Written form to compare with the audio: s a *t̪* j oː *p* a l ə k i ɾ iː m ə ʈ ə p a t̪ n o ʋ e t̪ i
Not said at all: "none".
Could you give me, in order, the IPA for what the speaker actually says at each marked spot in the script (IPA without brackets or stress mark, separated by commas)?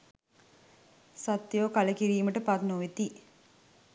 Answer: t̪, k